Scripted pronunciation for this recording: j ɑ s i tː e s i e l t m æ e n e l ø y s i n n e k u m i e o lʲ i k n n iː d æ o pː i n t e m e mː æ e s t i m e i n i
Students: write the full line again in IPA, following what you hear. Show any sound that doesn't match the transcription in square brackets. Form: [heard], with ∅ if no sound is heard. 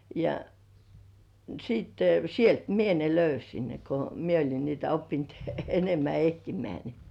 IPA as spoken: j ɑ s i tː e s i e l t m [i] e n e l ø y s i n n e k [o] m i e o lʲ i [∅] n n iː [t] æ o pː i n t e [n] e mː æ e [h] t i m e [æ] n i

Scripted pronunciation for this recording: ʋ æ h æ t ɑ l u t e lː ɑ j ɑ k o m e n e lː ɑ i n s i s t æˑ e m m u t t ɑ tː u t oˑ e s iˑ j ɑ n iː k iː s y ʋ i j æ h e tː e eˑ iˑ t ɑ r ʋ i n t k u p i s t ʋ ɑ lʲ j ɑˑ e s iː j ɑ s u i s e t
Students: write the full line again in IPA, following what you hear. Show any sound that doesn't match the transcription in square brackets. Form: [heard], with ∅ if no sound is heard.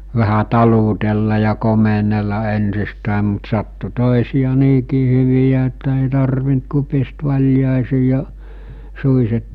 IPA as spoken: ʋ æ h æ t ɑ l u t e lː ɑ j ɑ k o m e n e lː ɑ [e] n s i s t æˑ e m m u t [s] ɑ tː u t oˑ e s iˑ j ɑ n iː k iː [h] y ʋ i j æ [∅] e tː [æ] eˑ iˑ t ɑ r ʋ i n t k u p i s t ʋ ɑ lʲ j ɑˑ e s iː j ɑ s u i s e t

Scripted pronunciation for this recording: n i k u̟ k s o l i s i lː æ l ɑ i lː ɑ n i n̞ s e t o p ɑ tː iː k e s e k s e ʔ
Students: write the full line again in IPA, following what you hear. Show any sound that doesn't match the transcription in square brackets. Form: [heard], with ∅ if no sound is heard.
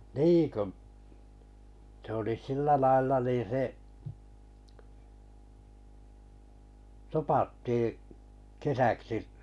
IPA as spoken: n i k u̟ [∅] s o l i s i lː æ l ɑ i lː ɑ n [iː] n̞ s e t o p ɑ tː iː k e s [æ] k s [i] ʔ

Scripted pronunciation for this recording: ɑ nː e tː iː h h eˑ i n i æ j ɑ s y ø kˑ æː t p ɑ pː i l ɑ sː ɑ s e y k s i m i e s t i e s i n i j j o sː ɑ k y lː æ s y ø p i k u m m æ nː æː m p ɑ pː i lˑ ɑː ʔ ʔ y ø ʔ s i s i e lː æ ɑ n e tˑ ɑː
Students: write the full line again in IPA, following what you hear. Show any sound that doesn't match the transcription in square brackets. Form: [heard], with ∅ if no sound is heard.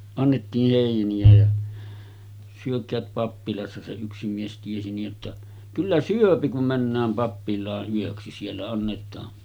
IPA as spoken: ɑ nː e tː iː h h eˑ i n i æ j ɑ s y ø kˑ æː t p ɑ pː i l ɑ sː ɑ s e y k s i m i e s t i e s i n i j j o [tː] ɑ k y lː æ s y ø p i k u m m æ nː æː m p ɑ pː i lˑ ɑː ʔ ʔ y ø [k] s i s i e lː æ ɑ [nː] e tˑ ɑː

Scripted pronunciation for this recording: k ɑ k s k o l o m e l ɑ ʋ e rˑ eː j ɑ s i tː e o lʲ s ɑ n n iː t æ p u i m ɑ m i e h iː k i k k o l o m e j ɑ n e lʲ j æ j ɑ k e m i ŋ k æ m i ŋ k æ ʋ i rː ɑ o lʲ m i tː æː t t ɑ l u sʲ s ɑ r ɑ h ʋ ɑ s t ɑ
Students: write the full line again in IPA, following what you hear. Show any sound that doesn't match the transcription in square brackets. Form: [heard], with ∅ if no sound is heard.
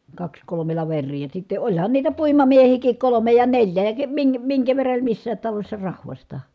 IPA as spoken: k ɑ k s k o l o m e l ɑ ʋ e rˑ [iː] j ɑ s i tː e o lʲ [h] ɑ n n iː t æ p u i m ɑ m i e h iː k i k k o l o m e j ɑ n e lʲ j æ j ɑ k e m i ŋ k æ m i ŋ k æ ʋ [e] rː ɑ o lʲ m i [sː] æː t t ɑ l [o] sʲ s ɑ r ɑ h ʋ ɑ s t ɑ

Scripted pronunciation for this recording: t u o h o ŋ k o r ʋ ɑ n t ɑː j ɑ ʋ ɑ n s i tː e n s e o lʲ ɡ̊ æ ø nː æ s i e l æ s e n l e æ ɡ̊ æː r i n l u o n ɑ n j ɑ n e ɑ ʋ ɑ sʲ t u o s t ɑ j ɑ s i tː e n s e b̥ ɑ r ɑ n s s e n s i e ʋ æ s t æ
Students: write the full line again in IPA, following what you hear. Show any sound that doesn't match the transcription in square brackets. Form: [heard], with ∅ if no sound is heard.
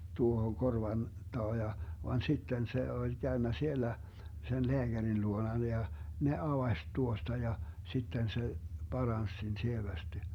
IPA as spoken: t u o h o ŋ k o r ʋ ɑ n t ɑː j ɑ ʋ ɑ n s i tː e n s e o lʲ ɡ̊ æ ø nː æ s i e l æ s e n l e æ ɡ̊ [æ] r i n l u o n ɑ n j ɑ n e ɑ ʋ ɑ sʲ t u o s t ɑ j ɑ s i tː e n s e b̥ ɑ r ɑ n s s e n s i e ʋ æ s t [i]

